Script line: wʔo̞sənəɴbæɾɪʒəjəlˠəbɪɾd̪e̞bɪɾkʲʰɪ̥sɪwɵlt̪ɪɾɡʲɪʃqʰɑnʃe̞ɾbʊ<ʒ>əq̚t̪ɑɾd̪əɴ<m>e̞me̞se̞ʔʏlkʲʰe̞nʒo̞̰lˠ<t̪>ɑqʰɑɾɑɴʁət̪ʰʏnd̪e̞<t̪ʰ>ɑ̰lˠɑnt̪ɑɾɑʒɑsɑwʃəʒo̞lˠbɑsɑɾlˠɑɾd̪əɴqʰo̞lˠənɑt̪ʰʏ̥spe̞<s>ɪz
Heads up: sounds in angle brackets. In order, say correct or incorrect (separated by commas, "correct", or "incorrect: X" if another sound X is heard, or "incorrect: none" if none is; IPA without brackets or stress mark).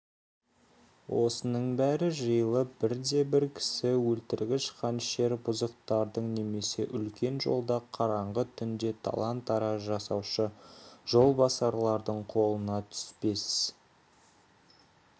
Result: incorrect: z, incorrect: n, incorrect: d̪, correct, correct